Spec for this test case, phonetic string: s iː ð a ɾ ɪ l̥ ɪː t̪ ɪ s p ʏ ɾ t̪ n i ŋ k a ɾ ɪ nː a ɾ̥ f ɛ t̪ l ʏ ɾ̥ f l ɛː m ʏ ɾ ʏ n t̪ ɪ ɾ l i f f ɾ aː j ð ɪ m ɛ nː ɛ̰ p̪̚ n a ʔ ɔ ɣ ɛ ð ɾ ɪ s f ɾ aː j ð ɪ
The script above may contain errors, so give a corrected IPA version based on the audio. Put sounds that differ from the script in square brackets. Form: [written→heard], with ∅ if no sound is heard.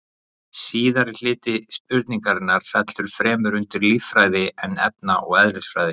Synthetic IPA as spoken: s iː ð a ɾ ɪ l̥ ɪː t̪ ɪ s p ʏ ɾ t̪ n i ŋ k a ɾ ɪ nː a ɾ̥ f ɛ t̪ l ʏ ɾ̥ f [l→ɾ] ɛː m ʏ ɾ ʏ n t̪ ɪ ɾ l i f f ɾ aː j ð ɪ [m→∅] ɛ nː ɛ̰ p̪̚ n a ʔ ɔ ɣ ɛ ð ɾ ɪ s f ɾ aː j ð ɪ